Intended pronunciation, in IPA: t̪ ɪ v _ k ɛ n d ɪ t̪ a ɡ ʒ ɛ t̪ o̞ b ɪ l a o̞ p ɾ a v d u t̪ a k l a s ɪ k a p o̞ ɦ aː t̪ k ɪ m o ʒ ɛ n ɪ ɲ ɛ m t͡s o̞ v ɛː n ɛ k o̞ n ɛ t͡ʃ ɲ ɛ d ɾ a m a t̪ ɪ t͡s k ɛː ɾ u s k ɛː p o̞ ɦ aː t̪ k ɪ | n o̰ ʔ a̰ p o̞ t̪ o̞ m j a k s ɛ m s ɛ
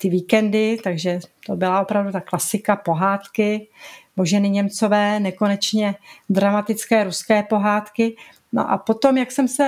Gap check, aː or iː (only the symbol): iː